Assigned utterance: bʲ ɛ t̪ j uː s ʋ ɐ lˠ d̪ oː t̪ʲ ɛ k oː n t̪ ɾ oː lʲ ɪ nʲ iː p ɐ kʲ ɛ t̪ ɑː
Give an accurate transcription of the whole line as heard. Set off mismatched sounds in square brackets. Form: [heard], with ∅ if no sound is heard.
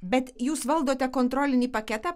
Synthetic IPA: bʲ ɛ t̪ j uː s ʋ ɐ lˠ d̪ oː t̪ʲ ɛ k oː n t̪ ɾ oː lʲ ɪ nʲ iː p ɐ kʲ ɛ t̪ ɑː